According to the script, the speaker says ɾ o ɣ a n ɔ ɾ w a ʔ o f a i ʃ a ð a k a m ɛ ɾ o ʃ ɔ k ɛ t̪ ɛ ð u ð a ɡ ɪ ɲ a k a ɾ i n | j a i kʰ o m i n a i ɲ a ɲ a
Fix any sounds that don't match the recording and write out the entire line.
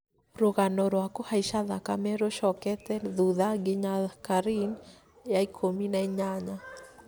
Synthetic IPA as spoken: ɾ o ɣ a n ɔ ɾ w a k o h a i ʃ a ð a k a m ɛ ɾ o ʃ ɔ k ɛ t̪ ɛ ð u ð a ɡ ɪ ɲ a k a ɾ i n | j a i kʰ o m i n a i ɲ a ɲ a